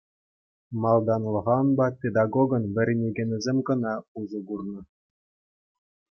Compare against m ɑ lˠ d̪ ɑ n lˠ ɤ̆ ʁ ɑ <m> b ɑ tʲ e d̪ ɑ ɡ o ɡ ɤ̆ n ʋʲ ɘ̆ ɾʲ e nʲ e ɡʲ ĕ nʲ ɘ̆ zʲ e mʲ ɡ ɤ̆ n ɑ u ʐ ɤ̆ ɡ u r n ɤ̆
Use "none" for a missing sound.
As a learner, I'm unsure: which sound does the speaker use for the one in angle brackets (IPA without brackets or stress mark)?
n